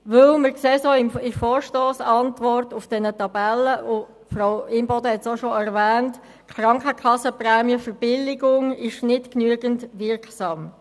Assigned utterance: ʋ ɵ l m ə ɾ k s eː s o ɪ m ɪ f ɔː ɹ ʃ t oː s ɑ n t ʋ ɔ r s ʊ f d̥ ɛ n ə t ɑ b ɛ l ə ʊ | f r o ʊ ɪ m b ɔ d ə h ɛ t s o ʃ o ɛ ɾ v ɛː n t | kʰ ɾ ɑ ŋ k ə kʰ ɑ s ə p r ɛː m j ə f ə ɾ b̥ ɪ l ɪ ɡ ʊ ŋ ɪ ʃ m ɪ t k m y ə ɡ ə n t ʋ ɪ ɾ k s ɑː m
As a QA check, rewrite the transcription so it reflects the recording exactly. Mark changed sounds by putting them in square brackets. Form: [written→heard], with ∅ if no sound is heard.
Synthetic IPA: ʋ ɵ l m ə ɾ k s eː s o ɪ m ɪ f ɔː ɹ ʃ t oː s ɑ n t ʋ ɔ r [s→t] ʊ f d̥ ɛ n ə t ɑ b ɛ l ə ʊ | f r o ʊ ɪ m b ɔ d ə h ɛ t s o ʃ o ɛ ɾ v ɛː n t | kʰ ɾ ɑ ŋ k ə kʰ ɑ s ə p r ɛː m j ə f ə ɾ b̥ ɪ l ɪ ɡ ʊ ŋ ɪ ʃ [m→n] ɪ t k [m→n] y ə ɡ ə n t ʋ ɪ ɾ k s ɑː m